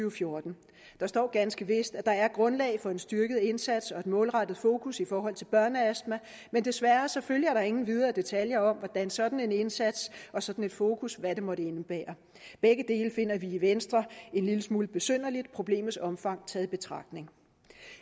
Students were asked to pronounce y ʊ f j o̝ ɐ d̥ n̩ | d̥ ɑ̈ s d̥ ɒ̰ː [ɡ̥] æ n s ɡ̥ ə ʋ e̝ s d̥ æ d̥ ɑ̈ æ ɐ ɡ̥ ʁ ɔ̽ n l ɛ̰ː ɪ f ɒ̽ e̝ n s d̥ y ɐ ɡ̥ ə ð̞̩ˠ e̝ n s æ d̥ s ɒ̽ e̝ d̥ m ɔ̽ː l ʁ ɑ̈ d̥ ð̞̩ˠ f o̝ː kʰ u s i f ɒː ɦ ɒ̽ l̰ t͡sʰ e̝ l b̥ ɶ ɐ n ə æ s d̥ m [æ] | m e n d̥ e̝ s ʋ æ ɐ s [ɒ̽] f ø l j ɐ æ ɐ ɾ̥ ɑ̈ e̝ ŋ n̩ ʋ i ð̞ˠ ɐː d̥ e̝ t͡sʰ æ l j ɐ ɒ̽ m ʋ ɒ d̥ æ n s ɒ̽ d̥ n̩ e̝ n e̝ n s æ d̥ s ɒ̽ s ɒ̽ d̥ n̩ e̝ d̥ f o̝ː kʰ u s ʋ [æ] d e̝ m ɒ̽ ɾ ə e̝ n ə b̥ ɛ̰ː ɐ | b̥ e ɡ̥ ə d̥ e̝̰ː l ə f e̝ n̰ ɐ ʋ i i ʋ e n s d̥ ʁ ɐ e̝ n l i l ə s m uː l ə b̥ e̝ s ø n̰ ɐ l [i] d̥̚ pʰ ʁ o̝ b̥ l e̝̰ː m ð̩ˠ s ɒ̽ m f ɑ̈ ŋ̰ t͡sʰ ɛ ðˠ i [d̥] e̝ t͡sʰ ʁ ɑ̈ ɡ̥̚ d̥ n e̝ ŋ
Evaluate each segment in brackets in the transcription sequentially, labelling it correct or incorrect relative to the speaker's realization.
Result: correct, correct, correct, correct, correct, incorrect

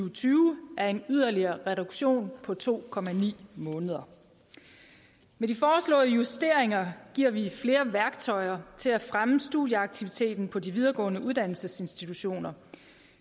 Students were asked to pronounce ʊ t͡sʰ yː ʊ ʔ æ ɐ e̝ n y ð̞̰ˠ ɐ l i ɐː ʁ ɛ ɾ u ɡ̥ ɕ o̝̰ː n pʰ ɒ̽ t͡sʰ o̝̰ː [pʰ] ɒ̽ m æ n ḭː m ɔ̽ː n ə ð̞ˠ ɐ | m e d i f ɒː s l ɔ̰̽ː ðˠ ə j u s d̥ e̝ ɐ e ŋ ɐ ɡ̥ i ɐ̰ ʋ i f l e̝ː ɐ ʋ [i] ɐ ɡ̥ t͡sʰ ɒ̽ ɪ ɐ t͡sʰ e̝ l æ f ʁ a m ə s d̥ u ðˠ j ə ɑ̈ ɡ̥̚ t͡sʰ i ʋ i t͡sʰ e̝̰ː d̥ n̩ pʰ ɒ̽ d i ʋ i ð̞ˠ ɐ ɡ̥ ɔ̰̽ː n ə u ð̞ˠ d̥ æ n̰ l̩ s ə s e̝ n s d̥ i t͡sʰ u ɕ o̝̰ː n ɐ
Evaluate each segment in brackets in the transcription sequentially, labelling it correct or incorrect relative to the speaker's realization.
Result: incorrect, incorrect

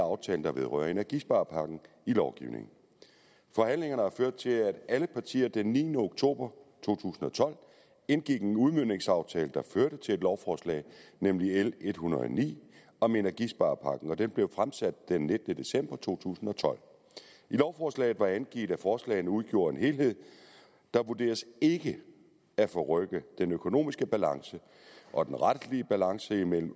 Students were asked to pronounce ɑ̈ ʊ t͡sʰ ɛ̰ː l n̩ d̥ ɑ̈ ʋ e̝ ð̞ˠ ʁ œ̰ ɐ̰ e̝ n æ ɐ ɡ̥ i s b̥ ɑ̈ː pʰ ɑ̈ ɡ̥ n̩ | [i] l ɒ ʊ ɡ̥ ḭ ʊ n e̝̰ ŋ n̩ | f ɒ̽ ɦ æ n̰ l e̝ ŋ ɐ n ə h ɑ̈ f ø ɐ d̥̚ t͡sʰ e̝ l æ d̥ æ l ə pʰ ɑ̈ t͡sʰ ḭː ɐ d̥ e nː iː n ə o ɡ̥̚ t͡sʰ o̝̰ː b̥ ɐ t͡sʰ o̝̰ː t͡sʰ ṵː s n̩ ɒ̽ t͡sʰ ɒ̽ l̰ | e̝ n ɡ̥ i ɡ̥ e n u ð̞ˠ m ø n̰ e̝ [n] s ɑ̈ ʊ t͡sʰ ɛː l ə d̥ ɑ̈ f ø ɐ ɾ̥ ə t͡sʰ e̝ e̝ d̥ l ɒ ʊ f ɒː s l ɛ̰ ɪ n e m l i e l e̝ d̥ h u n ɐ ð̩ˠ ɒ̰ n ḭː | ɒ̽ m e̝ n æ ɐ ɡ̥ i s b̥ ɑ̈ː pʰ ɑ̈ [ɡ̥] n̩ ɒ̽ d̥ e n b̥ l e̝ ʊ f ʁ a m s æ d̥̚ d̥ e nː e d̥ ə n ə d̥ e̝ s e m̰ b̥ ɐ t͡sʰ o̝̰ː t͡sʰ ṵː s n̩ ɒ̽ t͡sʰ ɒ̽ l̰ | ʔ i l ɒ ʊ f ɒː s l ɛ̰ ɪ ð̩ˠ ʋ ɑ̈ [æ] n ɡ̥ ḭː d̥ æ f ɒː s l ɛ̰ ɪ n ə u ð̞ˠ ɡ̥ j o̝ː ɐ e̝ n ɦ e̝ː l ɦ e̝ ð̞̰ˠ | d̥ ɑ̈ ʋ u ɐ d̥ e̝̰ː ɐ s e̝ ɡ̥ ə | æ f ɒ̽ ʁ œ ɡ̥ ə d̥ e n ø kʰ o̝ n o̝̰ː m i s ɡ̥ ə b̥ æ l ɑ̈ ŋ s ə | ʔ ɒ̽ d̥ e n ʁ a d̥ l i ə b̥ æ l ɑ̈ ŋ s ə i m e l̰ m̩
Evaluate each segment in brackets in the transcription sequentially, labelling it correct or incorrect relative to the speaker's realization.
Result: correct, incorrect, correct, correct

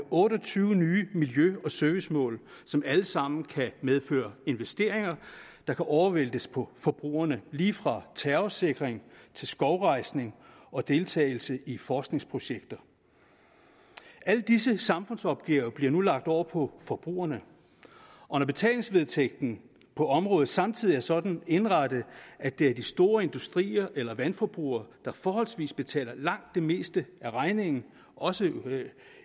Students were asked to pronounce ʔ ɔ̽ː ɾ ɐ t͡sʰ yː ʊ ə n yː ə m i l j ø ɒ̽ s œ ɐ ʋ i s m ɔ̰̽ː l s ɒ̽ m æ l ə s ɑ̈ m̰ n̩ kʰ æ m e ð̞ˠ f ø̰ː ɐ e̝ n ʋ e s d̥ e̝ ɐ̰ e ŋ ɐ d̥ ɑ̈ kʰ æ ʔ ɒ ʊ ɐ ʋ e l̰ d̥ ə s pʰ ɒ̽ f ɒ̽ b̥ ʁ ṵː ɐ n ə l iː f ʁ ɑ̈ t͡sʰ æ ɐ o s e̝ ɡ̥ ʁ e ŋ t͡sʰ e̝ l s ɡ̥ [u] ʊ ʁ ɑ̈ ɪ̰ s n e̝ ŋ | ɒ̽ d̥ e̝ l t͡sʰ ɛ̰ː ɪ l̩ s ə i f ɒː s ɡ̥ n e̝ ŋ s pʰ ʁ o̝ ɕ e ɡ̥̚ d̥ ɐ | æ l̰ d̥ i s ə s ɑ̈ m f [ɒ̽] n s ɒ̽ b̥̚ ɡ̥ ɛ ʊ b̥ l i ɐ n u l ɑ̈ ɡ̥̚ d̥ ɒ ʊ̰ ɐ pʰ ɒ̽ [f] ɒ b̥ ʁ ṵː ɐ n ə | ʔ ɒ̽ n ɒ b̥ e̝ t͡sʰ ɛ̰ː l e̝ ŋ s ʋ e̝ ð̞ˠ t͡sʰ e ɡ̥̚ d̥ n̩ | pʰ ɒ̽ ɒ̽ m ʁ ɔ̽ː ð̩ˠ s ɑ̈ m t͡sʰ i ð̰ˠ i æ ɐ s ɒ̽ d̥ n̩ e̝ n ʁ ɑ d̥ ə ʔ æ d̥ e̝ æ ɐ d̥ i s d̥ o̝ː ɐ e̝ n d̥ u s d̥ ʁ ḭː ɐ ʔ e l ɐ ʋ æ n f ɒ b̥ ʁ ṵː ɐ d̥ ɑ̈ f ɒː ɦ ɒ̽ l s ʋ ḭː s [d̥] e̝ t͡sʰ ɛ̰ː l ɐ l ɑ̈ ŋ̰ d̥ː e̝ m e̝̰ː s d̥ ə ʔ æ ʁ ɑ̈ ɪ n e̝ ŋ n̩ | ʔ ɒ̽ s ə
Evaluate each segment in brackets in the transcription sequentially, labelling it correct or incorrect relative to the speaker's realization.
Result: incorrect, incorrect, correct, incorrect

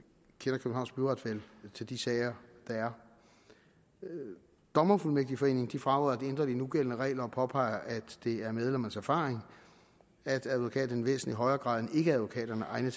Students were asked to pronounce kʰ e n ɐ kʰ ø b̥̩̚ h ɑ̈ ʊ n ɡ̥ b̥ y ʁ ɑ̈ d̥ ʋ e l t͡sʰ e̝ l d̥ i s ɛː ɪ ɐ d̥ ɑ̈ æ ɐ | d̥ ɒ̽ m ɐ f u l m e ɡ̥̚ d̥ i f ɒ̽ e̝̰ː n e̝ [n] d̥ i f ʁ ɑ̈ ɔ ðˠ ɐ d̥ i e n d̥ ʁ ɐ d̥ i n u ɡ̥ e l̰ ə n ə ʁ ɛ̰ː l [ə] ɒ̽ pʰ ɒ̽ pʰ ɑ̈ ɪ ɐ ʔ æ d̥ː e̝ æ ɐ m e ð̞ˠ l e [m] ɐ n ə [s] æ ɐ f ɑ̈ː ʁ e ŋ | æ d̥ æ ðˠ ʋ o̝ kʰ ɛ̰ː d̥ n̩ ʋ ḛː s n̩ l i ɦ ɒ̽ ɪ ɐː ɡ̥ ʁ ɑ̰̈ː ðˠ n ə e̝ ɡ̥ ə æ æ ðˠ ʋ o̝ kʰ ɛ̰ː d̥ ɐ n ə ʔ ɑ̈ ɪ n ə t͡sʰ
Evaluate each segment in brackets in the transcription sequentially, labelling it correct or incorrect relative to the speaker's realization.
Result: incorrect, incorrect, correct, correct

